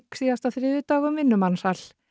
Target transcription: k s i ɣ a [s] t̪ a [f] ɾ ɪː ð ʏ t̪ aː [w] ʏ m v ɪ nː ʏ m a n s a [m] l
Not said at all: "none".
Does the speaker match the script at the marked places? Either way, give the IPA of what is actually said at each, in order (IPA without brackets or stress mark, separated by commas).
s, θ, ɣ, none